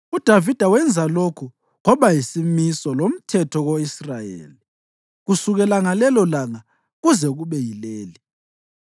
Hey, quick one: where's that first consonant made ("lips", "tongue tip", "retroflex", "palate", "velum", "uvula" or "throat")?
tongue tip